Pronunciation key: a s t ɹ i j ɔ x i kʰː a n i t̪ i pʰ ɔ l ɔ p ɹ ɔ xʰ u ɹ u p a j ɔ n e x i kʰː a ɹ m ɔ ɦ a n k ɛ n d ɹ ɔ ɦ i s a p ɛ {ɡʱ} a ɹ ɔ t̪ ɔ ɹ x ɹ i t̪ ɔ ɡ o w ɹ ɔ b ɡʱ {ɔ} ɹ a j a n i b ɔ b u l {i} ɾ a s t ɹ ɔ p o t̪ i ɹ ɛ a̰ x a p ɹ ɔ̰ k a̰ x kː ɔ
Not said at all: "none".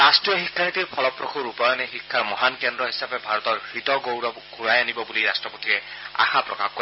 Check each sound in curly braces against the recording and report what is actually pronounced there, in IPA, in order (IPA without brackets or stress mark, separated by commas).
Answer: bʱ, u, i